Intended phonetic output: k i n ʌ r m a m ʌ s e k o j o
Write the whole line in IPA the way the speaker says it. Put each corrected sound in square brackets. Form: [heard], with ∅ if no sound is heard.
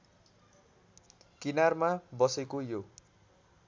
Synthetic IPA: k i n [a] r m a [b] ʌ s e k o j o